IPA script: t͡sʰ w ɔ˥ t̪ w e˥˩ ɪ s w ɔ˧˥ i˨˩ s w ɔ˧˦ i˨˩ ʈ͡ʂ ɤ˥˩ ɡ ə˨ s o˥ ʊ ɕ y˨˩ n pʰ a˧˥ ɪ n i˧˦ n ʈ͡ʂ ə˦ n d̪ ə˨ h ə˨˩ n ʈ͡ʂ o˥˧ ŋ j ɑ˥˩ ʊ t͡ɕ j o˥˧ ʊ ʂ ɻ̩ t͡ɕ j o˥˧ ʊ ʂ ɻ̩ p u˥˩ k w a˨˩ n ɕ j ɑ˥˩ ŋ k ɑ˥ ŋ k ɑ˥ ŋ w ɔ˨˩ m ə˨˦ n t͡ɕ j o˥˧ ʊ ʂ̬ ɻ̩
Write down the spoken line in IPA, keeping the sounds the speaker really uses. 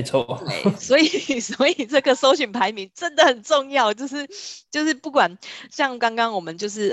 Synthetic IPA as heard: t͡sʰ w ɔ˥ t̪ w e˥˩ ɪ s w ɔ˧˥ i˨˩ s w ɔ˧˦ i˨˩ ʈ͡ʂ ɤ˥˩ ɡ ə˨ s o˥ ʊ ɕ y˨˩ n pʰ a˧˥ ɪ m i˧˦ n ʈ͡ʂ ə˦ n d̪ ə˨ h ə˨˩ n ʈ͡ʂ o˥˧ ŋ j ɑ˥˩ ʊ t͡ɕ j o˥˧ ʊ ʂ ɻ̩ t͡ɕ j o˥˧ ʊ ʂ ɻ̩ p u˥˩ k w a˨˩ n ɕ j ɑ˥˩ ŋ k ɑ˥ ŋ k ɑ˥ ŋ w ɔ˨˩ m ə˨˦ n t͡ɕ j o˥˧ ʊ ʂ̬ ɻ̩